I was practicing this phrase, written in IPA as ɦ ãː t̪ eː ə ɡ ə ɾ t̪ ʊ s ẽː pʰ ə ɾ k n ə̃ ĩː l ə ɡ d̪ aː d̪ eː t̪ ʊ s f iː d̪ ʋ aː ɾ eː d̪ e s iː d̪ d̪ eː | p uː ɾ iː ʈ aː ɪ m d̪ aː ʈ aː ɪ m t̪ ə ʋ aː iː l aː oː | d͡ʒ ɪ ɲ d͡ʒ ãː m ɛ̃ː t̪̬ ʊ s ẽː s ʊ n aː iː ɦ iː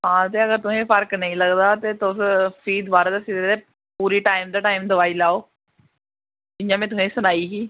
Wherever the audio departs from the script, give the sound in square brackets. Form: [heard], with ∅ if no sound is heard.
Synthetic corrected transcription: ɦ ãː t̪ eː ə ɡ ə ɾ t̪ ʊ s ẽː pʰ ə ɾ k n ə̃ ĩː l ə ɡ d̪ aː [t̪] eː t̪ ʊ s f iː d̪ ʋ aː ɾ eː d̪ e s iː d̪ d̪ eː | p uː ɾ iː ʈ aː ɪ m d̪ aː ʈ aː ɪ m [d̪] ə ʋ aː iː l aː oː | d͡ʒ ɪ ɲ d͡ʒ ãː m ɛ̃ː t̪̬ ʊ s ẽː s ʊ n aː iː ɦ iː

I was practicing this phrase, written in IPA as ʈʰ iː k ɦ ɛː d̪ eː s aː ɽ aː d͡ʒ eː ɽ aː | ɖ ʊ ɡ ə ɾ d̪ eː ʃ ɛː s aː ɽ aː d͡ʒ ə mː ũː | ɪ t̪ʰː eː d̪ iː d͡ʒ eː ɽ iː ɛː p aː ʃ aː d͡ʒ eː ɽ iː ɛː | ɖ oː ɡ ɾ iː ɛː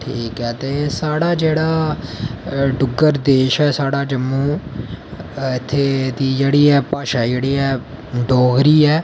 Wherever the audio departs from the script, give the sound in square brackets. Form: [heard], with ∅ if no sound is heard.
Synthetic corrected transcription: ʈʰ iː k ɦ ɛː [t̪] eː s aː ɽ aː d͡ʒ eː ɽ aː | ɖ ʊ ɡ ə ɾ d̪ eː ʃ ɛː s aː ɽ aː d͡ʒ ə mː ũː | ɪ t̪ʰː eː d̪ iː d͡ʒ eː ɽ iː ɛː p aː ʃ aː d͡ʒ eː ɽ iː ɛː | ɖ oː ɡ ɾ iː ɛː

